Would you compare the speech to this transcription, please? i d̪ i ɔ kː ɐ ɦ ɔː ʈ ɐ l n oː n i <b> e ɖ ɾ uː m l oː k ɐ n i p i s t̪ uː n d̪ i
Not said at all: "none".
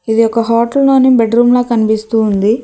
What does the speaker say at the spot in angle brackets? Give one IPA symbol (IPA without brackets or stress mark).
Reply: b